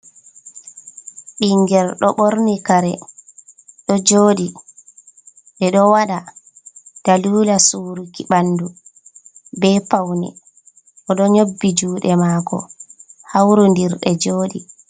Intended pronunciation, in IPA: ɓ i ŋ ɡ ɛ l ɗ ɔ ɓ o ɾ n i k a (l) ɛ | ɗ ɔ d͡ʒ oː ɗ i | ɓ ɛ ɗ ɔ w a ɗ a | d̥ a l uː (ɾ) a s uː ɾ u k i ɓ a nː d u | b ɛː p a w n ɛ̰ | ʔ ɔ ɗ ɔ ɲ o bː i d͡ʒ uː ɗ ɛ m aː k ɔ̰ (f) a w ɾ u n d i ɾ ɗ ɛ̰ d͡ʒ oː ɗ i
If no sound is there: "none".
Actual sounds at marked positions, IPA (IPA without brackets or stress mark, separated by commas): ɾ, l, h